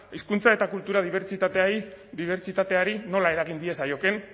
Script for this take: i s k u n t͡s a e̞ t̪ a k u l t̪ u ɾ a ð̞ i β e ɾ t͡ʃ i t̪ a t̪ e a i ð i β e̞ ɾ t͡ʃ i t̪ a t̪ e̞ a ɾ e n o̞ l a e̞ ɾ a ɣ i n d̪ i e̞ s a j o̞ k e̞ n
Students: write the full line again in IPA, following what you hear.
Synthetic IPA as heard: i s k u n t͡s a e̞ t̪ a k u l t̪ u ɾ a ð̞ i β e ɾ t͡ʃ i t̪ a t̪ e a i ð i β e̞ ɾ t͡ʃ i t̪ a t̪ e̞ a ɾ i n o̞ l a e̞ ɾ a ɣ i n d̪ i e̞ s a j o̞ k e̞ n